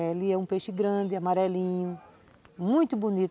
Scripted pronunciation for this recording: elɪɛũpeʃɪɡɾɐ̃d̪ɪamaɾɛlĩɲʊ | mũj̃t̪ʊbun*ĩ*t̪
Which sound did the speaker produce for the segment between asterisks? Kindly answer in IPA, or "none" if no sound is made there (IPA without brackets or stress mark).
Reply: i